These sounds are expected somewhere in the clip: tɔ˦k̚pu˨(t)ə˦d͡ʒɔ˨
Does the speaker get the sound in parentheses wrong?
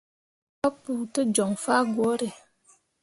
no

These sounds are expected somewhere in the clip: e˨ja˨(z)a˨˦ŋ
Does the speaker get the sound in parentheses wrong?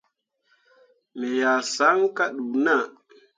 yes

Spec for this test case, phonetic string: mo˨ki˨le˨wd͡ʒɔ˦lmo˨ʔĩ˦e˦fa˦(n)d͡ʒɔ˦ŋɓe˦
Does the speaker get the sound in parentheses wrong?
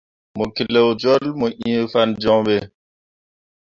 no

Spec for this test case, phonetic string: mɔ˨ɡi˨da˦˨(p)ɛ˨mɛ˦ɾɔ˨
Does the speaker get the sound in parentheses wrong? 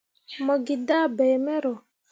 yes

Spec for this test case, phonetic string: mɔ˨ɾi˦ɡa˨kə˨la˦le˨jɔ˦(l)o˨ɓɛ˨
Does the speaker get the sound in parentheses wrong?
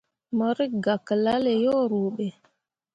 yes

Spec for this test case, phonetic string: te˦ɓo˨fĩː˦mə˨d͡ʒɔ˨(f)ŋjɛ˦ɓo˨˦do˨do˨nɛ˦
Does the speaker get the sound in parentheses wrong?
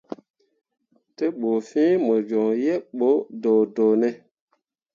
yes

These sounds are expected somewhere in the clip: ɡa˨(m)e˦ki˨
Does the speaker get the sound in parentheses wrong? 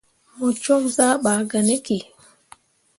yes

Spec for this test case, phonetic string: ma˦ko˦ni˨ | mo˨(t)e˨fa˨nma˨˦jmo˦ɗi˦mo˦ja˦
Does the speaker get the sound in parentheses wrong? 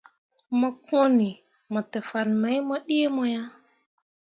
no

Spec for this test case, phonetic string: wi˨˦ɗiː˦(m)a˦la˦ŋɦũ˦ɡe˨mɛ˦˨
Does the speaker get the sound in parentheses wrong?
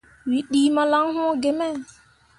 no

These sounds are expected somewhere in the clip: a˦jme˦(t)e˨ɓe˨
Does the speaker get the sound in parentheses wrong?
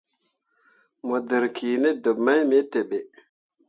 no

